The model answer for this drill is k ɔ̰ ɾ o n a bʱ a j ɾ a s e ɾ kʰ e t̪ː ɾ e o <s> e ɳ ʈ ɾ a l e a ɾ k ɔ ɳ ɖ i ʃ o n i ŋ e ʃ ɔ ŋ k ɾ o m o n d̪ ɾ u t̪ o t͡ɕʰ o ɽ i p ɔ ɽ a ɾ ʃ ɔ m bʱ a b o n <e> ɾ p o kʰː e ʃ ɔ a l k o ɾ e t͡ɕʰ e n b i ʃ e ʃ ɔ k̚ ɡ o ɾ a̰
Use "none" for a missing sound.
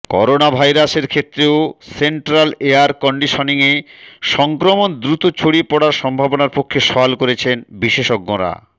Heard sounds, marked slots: s, a

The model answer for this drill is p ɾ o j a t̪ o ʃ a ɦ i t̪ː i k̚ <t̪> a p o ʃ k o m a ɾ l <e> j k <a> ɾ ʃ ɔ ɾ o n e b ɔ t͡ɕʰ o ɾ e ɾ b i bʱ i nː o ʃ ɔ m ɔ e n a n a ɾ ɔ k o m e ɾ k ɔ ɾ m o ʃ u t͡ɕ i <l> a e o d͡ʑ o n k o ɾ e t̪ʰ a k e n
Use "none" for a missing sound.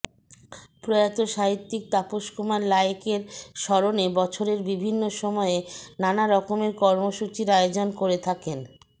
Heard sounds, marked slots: t̪, a, e, ɾ

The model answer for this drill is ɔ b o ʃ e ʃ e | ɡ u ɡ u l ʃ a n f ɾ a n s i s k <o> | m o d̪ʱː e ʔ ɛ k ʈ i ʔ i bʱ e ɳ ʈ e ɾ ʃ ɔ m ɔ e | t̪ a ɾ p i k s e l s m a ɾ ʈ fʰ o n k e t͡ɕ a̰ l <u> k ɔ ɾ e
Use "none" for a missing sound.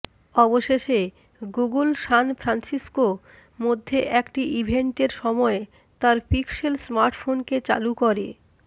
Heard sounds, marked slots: o, u

